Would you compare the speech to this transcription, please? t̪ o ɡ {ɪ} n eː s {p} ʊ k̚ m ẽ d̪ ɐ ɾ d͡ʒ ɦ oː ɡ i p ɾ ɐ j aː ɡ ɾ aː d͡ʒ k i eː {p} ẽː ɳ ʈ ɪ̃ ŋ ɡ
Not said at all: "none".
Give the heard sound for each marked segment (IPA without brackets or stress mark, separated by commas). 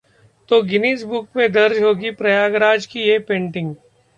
ɪ, b, p